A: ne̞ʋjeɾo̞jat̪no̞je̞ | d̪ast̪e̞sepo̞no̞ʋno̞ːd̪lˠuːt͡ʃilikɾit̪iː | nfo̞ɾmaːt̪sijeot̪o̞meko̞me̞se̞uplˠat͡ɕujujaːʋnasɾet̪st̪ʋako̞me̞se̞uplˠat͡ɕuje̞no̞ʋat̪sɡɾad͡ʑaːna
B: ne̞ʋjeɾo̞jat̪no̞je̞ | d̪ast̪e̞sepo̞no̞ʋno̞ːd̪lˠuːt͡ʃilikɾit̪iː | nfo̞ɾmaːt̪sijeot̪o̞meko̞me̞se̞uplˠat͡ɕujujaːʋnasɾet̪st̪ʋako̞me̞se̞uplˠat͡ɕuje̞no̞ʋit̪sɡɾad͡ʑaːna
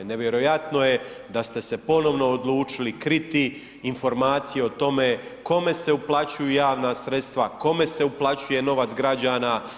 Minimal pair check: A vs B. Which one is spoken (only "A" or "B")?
A